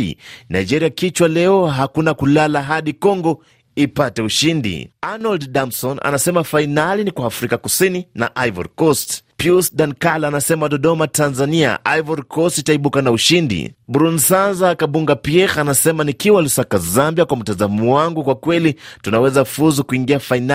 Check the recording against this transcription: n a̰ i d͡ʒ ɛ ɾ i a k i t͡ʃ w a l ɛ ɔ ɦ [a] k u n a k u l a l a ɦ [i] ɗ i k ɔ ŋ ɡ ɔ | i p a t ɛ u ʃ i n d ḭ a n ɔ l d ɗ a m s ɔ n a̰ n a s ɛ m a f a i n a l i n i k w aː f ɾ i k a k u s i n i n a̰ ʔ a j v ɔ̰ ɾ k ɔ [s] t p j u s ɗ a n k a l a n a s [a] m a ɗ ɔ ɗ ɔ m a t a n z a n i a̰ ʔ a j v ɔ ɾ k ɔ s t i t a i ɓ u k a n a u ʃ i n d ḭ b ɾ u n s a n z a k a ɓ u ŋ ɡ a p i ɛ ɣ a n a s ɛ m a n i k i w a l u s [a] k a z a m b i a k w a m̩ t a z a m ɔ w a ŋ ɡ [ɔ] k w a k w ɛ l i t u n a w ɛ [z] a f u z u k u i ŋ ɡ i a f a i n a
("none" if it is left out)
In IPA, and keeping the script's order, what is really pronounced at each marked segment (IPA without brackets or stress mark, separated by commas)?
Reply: a, a, s, ɛ, a, u, z